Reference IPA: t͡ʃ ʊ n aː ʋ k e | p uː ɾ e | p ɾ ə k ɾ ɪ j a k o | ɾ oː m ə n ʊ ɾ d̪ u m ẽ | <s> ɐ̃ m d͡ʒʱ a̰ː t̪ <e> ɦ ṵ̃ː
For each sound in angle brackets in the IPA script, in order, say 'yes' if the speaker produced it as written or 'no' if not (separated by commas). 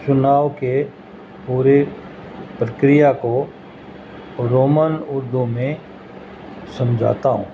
yes, no